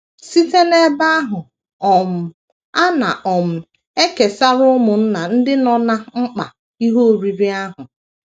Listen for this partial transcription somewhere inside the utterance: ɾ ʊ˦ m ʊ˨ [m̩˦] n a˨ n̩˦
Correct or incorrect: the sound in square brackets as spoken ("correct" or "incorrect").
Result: incorrect